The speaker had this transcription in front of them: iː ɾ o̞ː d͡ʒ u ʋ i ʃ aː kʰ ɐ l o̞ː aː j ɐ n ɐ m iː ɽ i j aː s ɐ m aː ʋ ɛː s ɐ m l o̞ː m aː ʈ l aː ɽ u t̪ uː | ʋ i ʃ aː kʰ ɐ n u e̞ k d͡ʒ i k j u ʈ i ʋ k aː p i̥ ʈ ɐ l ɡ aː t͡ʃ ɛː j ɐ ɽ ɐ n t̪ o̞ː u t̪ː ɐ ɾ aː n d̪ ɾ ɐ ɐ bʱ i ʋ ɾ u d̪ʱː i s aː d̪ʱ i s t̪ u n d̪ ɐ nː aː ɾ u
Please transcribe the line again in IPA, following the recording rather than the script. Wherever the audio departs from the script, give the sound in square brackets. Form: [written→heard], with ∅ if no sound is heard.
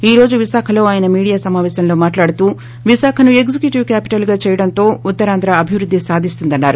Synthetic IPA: iː ɾ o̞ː d͡ʒ u ʋ i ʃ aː kʰ ɐ l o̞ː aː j ɐ n ɐ m iː ɽ i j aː s ɐ m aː ʋ ɛː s ɐ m l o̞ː m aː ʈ l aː ɽ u t̪ uː | ʋ i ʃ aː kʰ ɐ n u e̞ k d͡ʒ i k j u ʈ i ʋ k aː p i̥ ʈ ɐ l ɡ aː t͡ʃ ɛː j ɐ ɽ ɐ n t̪ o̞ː u t̪ː ɐ ɾ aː n d̪ ɾ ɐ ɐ bʱ i ʋ ɾ u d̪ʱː i s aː d̪ʱ i s t̪ u n d̪ ɐ nː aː ɾ u

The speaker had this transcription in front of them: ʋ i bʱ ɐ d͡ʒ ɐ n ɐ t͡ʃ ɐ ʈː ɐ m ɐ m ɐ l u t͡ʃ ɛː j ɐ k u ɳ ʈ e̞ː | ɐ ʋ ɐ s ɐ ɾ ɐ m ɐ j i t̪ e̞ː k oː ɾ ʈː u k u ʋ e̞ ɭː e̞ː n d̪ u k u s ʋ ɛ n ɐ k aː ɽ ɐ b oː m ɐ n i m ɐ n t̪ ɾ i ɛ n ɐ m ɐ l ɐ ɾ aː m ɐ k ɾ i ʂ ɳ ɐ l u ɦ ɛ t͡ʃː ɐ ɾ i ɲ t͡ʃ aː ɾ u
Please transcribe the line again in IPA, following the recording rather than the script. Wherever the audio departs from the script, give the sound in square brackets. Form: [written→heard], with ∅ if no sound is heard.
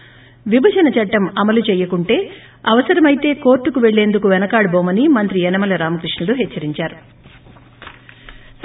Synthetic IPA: ʋ i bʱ ɐ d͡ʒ ɐ n ɐ t͡ʃ ɐ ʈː ɐ m ɐ m ɐ l u t͡ʃ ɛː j ɐ k u ɳ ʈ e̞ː | ɐ ʋ ɐ s ɐ ɾ ɐ m ɐ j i t̪ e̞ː k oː ɾ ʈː u k u ʋ e̞ ɭː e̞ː n d̪ u k u [s→∅] ʋ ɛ n ɐ k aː ɽ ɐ b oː m ɐ n i m ɐ n t̪ ɾ i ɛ n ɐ m ɐ l ɐ ɾ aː m ɐ k ɾ i ʂ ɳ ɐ l u ɦ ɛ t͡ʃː ɐ ɾ i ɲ t͡ʃ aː ɾ u

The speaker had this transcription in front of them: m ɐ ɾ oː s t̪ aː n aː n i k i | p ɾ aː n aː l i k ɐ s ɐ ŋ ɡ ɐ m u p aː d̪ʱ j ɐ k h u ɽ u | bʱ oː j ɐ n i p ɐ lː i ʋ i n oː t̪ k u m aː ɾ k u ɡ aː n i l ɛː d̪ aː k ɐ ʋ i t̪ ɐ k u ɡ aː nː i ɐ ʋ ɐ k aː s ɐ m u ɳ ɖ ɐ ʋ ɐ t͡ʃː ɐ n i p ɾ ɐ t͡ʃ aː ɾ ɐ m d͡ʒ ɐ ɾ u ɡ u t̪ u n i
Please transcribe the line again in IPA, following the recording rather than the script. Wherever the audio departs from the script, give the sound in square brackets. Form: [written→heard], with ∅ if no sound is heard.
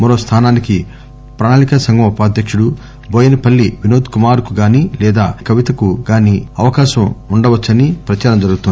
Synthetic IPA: m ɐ ɾ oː s [t̪→t̪ʰ] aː n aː n i k i | p ɾ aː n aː l i k ɐ s ɐ ŋ ɡ ɐ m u p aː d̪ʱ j ɐ k [h→ʂ] u ɽ u | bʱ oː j ɐ n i p ɐ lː i ʋ i n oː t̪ k u m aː ɾ k u ɡ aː n i l ɛː d̪ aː k ɐ ʋ i t̪ ɐ k u ɡ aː [nː→n] i ɐ ʋ ɐ k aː [s→ʃ] ɐ m u ɳ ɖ ɐ ʋ ɐ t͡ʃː ɐ n i p ɾ ɐ t͡ʃ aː ɾ ɐ m d͡ʒ ɐ ɾ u ɡ u t̪ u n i

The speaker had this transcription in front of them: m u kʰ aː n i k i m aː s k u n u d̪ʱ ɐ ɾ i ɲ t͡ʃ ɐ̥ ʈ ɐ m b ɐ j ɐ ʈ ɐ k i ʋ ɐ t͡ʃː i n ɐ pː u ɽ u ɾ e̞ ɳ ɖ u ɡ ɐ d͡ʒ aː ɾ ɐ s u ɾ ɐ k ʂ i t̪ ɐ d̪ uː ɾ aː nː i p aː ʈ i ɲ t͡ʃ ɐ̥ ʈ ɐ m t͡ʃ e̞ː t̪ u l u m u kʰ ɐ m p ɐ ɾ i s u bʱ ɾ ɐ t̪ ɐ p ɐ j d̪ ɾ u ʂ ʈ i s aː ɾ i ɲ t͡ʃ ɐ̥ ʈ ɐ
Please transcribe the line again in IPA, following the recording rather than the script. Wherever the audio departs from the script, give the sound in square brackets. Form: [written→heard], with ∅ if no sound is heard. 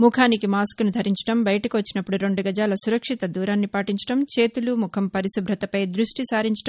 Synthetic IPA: m u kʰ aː n i k i m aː s k u n u d̪ʱ ɐ ɾ i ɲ t͡ʃ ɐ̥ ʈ ɐ m b ɐ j ɐ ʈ ɐ k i ʋ ɐ t͡ʃː i n ɐ pː u ɽ u ɾ e̞ ɳ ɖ u ɡ ɐ d͡ʒ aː [ɾ→l] ɐ s u ɾ ɐ k ʂ i t̪ ɐ d̪ uː ɾ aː nː i p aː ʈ i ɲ t͡ʃ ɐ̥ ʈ ɐ m t͡ʃ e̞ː t̪ u l u m u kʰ ɐ m p ɐ ɾ i s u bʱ ɾ ɐ t̪ ɐ p ɐ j d̪ ɾ u ʂ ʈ i s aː ɾ i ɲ t͡ʃ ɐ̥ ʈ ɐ

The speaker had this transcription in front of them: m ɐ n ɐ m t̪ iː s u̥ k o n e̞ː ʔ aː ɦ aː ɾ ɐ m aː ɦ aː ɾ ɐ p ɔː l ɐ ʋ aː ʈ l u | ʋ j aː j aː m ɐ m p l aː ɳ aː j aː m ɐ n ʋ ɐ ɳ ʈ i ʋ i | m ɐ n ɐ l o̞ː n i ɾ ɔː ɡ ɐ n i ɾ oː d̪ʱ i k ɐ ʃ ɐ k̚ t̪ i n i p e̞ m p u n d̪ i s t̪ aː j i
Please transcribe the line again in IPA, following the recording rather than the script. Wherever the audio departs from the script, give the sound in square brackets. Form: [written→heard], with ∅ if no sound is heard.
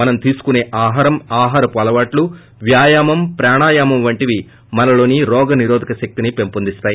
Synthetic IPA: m ɐ n ɐ m t̪ iː s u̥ k [o→u] n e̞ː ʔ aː ɦ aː ɾ ɐ m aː ɦ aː ɾ ɐ p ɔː l ɐ ʋ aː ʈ l u | ʋ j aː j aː m ɐ m p [l→ɾ] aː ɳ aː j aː m ɐ [n→m] ʋ ɐ ɳ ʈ i ʋ i | m ɐ n ɐ l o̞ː n i ɾ ɔː ɡ ɐ n i ɾ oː d̪ʱ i k ɐ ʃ ɐ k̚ t̪ i n i p e̞ m p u n d̪ i s t̪ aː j i

